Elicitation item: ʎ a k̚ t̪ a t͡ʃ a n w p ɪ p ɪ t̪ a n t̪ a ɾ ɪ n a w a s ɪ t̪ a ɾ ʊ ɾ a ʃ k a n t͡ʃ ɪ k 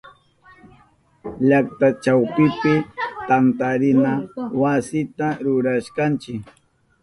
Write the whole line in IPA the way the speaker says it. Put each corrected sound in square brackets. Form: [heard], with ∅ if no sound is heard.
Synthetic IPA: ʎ a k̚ t̪ a t͡ʃ a [∅] w p ɪ p ɪ t̪ a n t̪ a ɾ ɪ n a w a s ɪ t̪ a ɾ ʊ ɾ a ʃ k a n t͡ʃ ɪ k

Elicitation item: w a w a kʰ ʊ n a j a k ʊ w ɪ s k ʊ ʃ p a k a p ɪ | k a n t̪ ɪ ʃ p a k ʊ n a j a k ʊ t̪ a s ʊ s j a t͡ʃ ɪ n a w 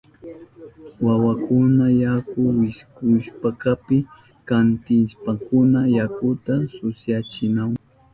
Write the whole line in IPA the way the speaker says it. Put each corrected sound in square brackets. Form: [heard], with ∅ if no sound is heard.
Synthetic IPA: w a w a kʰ ʊ n a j a k ʊ w ɪ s k ʊ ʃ p a k a p ɪ | k a n t̪ ɪ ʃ p a k ʊ n a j a k ʊ t̪ a s ʊ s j a t͡ʃ ɪ n a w

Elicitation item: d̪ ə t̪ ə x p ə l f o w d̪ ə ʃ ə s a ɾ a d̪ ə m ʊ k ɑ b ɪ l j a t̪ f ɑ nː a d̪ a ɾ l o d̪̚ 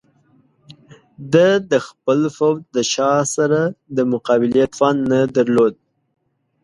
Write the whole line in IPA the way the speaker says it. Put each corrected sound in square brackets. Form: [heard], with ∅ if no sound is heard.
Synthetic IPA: d̪ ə [d̪] ə x p ə l f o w d̪ ə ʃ [ɑ] s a ɾ a d̪ ə m ʊ [q] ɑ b ɪ l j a t̪ f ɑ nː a d̪ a ɾ l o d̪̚

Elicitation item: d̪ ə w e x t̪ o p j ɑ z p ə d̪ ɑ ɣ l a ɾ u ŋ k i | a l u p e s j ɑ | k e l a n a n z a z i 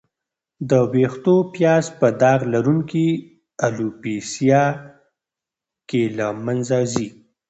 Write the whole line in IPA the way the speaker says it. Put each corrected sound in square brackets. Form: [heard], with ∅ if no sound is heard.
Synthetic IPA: d̪ ə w e x t̪ o p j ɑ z p ə d̪ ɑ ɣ l a ɾ u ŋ k i | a l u p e s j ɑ | k e l a [m] a n z a z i

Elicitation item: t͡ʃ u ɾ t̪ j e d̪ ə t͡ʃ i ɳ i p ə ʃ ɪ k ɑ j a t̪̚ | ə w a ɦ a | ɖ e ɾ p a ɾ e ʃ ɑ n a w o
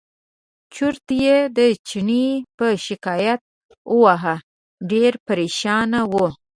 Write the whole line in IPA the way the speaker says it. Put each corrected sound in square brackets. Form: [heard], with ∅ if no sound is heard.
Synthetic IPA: t͡ʃ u ɾ t̪ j e d̪ ə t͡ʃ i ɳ i p ə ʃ ɪ k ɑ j a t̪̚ | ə w a ɦ a | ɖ e ɾ p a ɾ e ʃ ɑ n a w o

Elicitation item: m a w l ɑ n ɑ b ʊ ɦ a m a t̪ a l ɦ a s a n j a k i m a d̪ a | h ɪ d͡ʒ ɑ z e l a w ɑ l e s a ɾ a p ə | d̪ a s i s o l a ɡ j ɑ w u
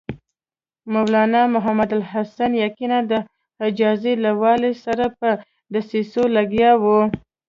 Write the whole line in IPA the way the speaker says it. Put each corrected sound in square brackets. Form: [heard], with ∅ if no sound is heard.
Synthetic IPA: m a w l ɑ n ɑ [m] ʊ ɦ a m a [d̪] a l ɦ a s a n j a k i [n] a d̪ [ə] | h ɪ d͡ʒ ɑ z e l a w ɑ l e s a ɾ a p ə | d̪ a s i s o l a ɡ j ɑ w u

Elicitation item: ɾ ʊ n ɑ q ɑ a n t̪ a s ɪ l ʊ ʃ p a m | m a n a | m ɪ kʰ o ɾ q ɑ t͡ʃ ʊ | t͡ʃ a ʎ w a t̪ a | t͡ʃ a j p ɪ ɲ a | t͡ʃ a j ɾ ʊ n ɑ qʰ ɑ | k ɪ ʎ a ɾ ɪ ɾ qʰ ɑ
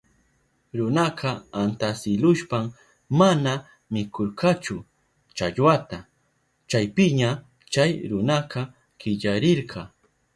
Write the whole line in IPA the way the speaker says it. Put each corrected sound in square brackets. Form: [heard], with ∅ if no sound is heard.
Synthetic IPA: ɾ ʊ n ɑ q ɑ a n t̪ a s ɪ l ʊ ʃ p a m | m a n a | m ɪ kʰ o ɾ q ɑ t͡ʃ ʊ | t͡ʃ a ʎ w a t̪ a | t͡ʃ a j p ɪ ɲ a | t͡ʃ a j ɾ ʊ n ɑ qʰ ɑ | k ɪ ʎ a ɾ ɪ ɾ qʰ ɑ

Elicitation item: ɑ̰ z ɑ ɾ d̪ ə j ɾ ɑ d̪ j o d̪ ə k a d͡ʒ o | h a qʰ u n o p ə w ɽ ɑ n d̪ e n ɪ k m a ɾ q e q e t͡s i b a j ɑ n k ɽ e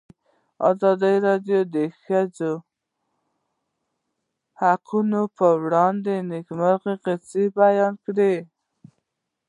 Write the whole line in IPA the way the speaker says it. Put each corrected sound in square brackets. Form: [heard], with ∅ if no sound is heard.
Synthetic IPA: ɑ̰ z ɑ [∅] d̪ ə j ɾ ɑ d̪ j o d̪ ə [x] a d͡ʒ o | h a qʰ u n o p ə w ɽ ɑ n d̪ e n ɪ k m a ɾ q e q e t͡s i b a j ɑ n k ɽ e

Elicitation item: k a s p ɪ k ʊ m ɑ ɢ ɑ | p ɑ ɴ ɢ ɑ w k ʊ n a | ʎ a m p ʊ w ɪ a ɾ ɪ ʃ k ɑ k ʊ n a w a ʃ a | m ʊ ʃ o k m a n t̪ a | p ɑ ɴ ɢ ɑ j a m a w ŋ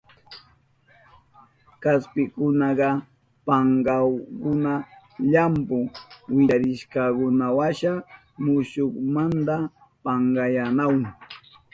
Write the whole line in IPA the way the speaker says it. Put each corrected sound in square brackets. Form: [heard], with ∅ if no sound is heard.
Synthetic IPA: k a s p ɪ k ʊ [n] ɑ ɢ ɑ | p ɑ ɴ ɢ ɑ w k ʊ n a | ʎ a m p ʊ w ɪ a ɾ ɪ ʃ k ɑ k ʊ n a w a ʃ a | m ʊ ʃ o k m a n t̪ a | p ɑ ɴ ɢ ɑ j a [n] a w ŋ

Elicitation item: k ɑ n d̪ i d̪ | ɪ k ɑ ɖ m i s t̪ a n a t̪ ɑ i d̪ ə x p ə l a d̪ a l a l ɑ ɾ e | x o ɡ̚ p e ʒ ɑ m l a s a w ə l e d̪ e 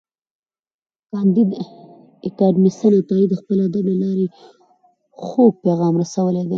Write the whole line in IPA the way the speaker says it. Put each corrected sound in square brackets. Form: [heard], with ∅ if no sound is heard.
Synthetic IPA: k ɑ n d̪ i d̪ | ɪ k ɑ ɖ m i s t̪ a n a t̪ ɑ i d̪ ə x p ə l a d̪ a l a l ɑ ɾ e | x o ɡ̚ p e [ɣ] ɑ m [ɾ] a s a w ə l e d̪ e

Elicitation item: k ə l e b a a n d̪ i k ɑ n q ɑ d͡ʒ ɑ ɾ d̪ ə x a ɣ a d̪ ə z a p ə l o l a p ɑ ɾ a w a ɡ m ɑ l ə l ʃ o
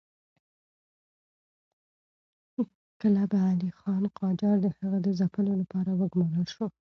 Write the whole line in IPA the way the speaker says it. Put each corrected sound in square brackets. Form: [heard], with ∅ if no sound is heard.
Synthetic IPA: k ə l [a] b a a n d̪ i [x] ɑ n q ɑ d͡ʒ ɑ ɾ d̪ ə [h] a ɣ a d̪ ə z a p ə l o l a p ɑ ɾ a w [ə] ɡ m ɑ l ə l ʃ o

